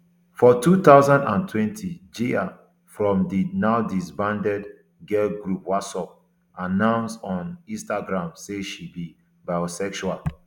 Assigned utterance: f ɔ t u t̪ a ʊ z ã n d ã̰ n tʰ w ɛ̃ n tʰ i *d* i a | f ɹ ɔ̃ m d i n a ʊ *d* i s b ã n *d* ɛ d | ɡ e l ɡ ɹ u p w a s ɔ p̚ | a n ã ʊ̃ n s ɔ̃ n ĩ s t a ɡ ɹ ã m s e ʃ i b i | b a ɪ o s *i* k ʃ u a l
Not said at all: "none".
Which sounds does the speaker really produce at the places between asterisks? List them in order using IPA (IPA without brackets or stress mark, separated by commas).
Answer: d͡ʒ, d, d, ɛ